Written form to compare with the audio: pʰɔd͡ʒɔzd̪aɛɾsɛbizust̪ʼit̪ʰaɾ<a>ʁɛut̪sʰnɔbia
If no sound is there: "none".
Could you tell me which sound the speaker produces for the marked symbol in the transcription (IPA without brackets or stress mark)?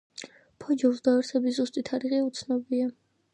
i